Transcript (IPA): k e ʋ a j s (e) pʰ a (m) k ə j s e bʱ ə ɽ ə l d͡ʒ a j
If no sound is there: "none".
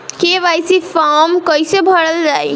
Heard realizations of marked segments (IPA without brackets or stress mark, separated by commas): i, m